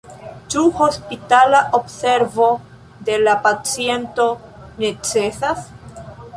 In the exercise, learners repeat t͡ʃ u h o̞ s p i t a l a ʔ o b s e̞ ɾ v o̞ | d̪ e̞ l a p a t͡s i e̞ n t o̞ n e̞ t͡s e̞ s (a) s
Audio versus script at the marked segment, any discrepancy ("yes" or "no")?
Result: no